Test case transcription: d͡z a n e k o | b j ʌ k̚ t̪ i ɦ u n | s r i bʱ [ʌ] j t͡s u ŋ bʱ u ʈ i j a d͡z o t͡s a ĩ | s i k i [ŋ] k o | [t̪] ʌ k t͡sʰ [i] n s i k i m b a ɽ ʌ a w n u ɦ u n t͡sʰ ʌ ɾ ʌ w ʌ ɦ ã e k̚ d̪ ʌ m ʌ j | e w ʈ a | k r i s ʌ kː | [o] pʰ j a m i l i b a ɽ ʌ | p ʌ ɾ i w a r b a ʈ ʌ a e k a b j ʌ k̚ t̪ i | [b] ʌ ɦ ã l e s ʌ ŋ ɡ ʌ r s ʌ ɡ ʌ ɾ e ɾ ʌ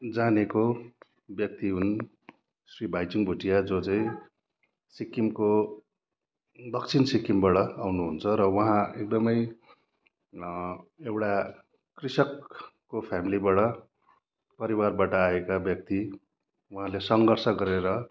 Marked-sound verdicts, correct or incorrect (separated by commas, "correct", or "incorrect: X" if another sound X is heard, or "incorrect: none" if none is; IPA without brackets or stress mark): incorrect: a, incorrect: m, incorrect: d̪, correct, correct, incorrect: w